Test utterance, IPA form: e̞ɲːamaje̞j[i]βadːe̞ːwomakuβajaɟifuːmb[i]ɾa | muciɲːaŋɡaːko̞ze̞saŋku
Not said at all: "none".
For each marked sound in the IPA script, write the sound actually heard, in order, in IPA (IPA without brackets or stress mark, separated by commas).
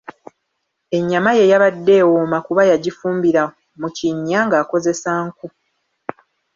a, i